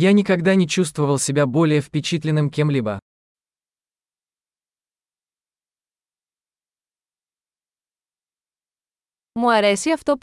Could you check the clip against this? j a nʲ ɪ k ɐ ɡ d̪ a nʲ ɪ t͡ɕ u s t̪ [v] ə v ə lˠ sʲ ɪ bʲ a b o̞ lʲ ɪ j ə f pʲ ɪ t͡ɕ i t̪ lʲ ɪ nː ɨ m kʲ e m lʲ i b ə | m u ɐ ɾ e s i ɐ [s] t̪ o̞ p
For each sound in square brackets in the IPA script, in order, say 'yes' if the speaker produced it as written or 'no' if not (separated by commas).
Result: yes, no